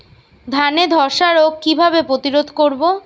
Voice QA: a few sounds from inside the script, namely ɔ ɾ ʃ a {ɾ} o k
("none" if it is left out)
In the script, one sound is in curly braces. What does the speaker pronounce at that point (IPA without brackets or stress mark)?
ɾ